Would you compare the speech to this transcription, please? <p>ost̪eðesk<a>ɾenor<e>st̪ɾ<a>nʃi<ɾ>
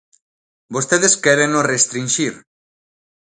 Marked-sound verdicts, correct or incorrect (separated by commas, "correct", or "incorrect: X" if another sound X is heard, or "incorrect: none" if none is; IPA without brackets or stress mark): incorrect: b, incorrect: ɛ, correct, incorrect: i, correct